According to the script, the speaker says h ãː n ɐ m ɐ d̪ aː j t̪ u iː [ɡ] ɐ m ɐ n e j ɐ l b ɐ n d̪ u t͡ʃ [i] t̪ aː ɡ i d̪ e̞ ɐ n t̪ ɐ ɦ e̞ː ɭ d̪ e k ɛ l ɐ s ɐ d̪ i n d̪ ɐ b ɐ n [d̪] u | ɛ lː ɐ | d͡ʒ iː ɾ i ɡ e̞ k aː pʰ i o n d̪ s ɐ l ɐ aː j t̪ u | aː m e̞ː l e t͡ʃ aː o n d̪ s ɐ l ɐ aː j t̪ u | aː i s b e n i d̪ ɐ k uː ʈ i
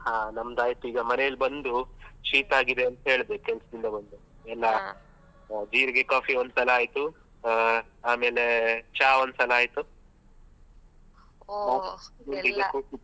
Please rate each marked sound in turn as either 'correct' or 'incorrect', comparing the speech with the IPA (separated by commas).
correct, incorrect, correct